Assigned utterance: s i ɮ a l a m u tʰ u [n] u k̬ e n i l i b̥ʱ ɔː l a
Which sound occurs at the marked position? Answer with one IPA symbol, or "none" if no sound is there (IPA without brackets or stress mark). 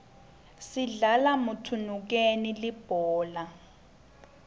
n